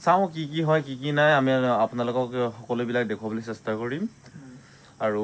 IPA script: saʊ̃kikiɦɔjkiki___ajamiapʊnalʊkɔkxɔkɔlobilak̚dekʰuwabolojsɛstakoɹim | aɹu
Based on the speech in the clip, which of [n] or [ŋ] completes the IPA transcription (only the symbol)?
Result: n